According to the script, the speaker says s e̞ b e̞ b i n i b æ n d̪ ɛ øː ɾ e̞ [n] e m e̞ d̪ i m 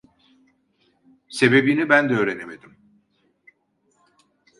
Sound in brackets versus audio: correct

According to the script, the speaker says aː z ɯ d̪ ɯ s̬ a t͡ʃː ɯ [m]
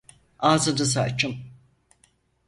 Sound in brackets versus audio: correct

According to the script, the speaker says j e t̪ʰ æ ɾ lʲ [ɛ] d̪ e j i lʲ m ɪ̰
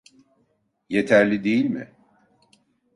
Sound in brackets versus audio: incorrect: i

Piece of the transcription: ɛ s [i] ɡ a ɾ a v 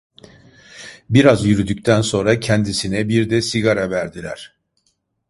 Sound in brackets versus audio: correct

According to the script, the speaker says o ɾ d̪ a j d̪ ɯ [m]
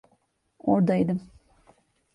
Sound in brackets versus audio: correct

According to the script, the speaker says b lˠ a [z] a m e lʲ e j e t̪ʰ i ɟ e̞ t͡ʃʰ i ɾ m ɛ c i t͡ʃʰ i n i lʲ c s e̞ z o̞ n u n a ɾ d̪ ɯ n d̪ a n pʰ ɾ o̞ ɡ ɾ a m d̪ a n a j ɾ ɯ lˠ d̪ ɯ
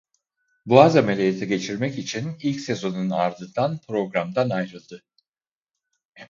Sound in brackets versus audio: correct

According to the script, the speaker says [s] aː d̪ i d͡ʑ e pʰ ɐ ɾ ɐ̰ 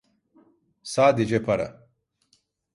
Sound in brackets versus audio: correct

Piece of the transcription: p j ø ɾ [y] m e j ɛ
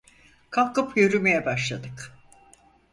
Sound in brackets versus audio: correct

